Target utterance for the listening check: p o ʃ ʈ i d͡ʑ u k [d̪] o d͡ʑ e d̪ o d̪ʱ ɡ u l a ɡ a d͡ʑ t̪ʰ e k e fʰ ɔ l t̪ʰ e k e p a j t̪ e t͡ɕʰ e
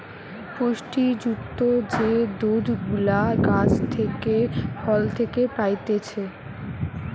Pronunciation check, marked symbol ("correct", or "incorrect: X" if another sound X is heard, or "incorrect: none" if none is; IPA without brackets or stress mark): incorrect: t̪